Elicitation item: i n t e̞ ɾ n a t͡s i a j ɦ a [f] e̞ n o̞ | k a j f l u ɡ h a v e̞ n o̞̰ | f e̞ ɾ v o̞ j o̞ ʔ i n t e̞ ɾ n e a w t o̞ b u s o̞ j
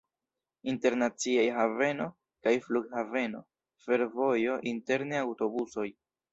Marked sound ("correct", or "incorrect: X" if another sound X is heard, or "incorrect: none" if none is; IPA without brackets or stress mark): incorrect: v